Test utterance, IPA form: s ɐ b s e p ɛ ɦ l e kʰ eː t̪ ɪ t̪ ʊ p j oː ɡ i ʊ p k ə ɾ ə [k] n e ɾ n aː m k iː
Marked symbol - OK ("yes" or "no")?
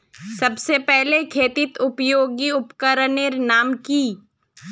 no